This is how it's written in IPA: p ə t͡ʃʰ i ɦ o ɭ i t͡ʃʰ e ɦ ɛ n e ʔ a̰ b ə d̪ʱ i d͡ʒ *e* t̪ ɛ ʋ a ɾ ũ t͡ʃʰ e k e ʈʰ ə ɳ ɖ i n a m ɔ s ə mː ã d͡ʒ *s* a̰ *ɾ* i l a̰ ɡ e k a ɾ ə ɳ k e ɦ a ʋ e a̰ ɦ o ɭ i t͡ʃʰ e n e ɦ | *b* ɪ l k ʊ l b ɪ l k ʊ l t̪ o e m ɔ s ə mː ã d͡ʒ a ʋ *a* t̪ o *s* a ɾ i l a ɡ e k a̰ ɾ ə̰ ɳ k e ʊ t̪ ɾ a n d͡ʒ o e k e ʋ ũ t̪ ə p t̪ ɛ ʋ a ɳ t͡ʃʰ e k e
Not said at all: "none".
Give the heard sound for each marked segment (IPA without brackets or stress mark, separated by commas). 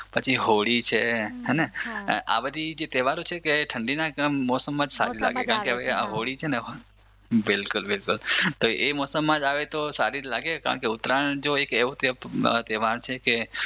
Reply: e, s, ɾ, b, e, s